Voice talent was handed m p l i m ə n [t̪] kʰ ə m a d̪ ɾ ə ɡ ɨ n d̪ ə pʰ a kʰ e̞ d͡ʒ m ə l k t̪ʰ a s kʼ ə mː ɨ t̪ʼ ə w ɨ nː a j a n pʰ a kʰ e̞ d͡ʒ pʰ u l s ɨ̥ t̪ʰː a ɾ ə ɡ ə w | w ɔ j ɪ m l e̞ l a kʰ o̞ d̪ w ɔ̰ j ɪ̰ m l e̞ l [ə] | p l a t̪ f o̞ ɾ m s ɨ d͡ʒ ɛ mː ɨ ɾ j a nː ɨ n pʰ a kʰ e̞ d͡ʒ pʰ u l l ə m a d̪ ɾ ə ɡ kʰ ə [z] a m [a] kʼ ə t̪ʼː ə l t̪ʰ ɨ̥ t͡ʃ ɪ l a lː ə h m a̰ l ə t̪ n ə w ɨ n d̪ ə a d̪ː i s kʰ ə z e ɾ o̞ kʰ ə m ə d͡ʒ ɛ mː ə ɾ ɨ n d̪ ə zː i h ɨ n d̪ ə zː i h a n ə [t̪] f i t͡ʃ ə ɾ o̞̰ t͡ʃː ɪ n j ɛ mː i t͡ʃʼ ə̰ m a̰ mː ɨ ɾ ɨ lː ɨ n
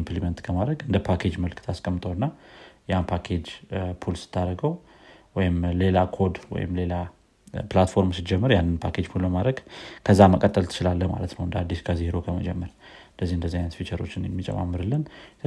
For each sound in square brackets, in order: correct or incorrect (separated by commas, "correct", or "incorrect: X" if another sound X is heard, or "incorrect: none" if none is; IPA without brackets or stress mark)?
correct, incorrect: a, incorrect: zː, incorrect: ə, correct